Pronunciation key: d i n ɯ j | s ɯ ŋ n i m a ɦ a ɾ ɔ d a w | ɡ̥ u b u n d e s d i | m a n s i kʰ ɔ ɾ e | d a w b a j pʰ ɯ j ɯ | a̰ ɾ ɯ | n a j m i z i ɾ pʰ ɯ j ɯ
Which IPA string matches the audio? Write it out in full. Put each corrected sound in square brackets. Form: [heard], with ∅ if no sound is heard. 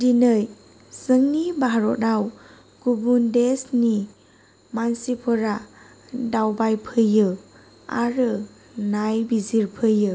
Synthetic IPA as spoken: d i n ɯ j | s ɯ ŋ n i [b] a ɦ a ɾ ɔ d a w | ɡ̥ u b u n d e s [n] i | m a n s i [pʰ] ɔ ɾ [a] | d a w b a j pʰ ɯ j ɯ | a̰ ɾ ɯ | n a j [b] i z i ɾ pʰ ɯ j ɯ